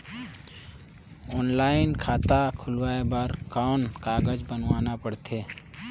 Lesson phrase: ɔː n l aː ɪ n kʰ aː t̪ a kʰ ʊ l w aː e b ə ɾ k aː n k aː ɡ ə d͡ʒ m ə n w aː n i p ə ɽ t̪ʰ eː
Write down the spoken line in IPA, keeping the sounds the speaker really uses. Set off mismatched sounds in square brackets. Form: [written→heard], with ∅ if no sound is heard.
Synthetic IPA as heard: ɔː n l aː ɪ n kʰ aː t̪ a kʰ ʊ l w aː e b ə ɾ k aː n k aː ɡ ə d͡ʒ [m→b] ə n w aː n [i→a] p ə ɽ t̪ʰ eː